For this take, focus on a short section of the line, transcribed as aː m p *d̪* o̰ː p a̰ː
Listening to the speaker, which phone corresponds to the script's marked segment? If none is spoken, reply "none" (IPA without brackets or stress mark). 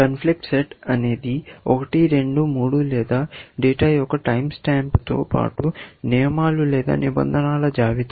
t̪